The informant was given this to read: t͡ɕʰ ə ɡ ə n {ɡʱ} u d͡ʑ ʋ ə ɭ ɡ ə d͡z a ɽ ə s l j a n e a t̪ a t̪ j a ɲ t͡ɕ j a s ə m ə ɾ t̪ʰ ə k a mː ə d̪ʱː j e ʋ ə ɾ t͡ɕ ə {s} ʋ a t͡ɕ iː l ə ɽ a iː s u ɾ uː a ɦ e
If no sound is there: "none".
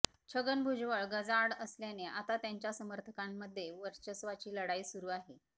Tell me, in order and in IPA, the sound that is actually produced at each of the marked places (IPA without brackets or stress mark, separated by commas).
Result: bʱ, s